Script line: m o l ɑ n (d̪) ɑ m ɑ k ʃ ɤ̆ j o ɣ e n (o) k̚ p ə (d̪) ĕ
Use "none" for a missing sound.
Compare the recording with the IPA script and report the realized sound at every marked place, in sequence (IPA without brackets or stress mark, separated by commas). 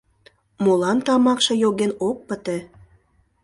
t̪, o, t̪